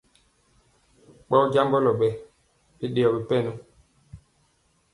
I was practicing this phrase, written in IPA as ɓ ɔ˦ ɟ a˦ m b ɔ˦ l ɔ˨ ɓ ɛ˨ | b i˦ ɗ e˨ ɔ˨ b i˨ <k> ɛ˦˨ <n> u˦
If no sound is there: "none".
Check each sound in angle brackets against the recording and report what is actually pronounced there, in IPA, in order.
p, n

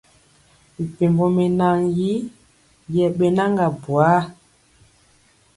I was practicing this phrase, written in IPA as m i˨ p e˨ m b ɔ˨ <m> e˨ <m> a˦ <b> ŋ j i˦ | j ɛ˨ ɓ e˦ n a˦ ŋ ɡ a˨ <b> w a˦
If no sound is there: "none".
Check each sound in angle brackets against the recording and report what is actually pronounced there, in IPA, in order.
m, n, none, b

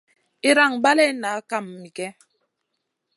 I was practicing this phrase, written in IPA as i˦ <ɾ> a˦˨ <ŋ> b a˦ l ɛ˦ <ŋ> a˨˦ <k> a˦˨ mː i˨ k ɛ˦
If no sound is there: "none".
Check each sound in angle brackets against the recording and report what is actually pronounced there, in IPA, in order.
ɾ, ŋ, n, k

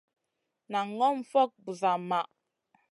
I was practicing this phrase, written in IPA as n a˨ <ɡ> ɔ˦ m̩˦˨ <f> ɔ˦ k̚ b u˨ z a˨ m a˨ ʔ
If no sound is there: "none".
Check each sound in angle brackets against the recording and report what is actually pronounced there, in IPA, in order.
ŋ, f

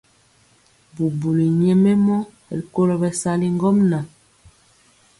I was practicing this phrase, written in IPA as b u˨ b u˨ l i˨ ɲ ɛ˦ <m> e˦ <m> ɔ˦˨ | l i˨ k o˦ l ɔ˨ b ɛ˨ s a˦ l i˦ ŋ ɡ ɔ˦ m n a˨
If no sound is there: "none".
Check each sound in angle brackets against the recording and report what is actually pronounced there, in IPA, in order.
m, m

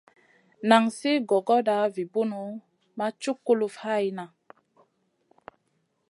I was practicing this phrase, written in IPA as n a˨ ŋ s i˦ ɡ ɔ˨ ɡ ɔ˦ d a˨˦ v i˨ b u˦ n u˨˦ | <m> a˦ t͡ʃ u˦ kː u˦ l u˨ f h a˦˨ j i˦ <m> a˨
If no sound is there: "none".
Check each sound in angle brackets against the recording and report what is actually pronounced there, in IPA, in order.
m, n

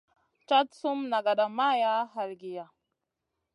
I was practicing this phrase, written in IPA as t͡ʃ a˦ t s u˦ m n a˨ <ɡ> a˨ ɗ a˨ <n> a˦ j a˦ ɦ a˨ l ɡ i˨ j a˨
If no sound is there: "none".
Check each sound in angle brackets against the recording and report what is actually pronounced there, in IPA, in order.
ɡ, m

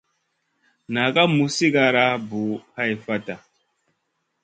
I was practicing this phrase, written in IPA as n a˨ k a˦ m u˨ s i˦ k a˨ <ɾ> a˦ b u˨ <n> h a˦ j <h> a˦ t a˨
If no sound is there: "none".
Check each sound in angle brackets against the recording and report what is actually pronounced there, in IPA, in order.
ɾ, none, f

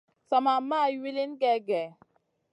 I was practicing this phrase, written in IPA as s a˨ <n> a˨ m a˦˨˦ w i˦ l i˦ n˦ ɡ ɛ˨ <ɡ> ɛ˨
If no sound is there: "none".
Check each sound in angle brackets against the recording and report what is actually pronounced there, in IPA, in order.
m, ɡ

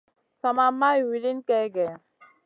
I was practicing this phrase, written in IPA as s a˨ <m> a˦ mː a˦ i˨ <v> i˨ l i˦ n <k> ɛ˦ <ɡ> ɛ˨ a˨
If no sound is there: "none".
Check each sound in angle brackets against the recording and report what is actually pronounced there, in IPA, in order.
m, w, k, ɡ

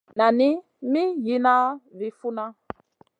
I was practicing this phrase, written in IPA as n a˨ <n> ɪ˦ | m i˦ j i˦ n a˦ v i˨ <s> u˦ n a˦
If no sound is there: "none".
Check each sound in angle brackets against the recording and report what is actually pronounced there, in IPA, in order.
n, f

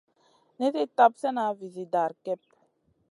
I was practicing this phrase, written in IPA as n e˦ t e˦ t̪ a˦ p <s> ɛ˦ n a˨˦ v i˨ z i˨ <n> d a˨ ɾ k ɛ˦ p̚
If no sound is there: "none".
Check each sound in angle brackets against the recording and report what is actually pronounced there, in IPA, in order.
s, none

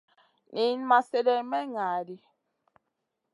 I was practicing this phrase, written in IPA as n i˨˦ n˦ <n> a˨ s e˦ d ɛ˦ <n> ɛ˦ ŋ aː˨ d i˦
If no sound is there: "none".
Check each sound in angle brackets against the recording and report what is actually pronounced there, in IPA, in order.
m, m

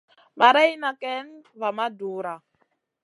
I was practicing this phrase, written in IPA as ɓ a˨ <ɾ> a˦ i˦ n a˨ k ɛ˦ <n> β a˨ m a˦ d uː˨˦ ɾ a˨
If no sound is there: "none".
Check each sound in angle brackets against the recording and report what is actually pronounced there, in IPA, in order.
ɾ, n

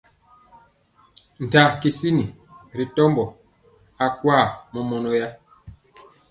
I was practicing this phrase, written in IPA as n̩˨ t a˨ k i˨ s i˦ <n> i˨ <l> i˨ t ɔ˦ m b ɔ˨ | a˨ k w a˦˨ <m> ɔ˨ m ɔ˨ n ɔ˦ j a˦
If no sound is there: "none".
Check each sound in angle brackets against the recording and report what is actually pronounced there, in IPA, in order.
n, ɾ, m

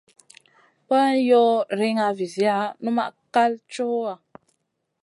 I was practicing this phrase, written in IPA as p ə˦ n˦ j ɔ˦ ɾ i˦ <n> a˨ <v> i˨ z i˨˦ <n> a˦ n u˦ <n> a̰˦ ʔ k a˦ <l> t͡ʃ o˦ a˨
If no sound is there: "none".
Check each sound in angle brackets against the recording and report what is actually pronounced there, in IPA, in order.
ŋ, v, none, m, l

